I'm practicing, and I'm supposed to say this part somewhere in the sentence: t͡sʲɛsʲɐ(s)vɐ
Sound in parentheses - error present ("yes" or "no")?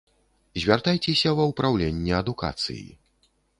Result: yes